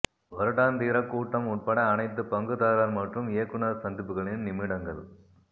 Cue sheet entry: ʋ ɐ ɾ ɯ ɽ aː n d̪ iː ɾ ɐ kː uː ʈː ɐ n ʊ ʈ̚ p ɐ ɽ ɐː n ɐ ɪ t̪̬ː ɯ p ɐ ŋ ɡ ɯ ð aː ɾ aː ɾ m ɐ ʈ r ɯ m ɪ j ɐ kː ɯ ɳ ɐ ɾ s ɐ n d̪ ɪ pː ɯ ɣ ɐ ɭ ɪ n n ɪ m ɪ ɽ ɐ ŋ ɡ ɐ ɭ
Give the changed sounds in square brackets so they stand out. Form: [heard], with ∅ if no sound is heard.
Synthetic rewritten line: ʋ ɐ ɾ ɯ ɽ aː n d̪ iː ɾ ɐ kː uː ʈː ɐ [m] ʊ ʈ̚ p ɐ ɽ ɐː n ɐ ɪ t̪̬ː ɯ p ɐ ŋ ɡ ɯ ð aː ɾ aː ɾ m ɐ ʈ r ɯ m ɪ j ɐ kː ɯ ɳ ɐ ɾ s ɐ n d̪ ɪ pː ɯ ɣ ɐ ɭ ɪ n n ɪ m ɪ ɽ ɐ ŋ ɡ ɐ ɭ